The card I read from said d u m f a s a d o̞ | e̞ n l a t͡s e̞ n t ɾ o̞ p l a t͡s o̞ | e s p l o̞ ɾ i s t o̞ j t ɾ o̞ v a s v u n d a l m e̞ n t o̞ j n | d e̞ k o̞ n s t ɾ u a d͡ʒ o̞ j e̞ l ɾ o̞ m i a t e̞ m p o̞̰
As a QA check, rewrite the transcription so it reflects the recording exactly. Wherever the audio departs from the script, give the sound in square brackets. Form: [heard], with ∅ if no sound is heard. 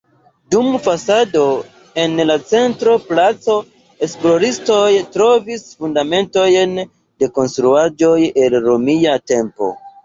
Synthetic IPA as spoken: d u m f a s a d o̞ | e̞ n l a t͡s e̞ n t ɾ o̞ p l a t͡s o̞ | e s p l o̞ ɾ i s t o̞ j t ɾ o̞ v [i] s [f] u n d a [∅] m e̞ n t o̞ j n | d e̞ k o̞ n s t ɾ u a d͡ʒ o̞ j e̞ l ɾ o̞ m i a t e̞ m p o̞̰